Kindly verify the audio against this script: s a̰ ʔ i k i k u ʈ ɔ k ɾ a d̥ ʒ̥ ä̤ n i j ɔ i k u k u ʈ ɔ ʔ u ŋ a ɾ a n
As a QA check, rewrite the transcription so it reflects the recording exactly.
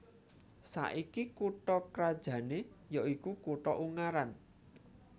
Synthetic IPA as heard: s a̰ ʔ i k i k u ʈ ɔ k ɾ a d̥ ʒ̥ ä̤ n e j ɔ i k u k u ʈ ɔ ʔ u ŋ a ɾ a n